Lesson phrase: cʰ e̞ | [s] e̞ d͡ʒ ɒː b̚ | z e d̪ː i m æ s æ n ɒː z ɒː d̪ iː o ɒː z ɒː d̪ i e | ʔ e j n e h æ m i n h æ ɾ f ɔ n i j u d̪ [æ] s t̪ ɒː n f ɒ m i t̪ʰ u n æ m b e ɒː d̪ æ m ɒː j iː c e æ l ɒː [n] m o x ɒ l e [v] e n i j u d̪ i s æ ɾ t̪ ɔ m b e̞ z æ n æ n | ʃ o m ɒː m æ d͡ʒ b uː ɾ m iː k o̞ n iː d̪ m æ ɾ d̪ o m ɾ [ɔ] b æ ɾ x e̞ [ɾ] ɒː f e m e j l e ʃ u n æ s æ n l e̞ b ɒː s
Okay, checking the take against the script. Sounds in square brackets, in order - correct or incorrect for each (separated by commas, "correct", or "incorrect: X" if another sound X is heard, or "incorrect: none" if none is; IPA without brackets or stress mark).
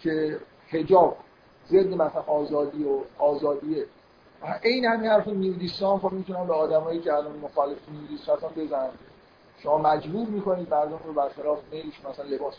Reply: incorrect: h, incorrect: i, correct, incorrect: f, incorrect: o, incorrect: l